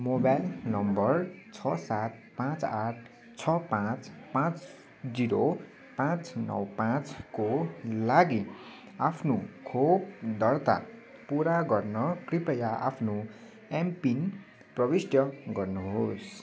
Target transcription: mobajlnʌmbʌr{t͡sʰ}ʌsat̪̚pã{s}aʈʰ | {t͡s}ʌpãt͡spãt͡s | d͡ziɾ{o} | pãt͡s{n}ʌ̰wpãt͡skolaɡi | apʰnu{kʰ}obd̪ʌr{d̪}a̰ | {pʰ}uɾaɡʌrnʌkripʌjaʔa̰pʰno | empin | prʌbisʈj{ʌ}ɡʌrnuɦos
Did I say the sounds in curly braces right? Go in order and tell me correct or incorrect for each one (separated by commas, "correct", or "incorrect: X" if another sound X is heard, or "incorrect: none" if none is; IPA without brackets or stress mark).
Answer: correct, incorrect: t͡s, incorrect: t͡sʰ, correct, correct, correct, incorrect: t̪, incorrect: p, correct